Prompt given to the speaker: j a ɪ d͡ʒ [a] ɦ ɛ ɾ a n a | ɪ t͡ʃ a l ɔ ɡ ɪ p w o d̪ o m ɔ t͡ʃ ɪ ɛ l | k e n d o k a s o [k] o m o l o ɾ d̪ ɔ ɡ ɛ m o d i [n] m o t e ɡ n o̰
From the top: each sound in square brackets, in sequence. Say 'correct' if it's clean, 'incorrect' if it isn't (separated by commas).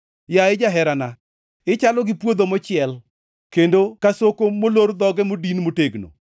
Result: correct, correct, correct